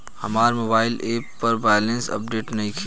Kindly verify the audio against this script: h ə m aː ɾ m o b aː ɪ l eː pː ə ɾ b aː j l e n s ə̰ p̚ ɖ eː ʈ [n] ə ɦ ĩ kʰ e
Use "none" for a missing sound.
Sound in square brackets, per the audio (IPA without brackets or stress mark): n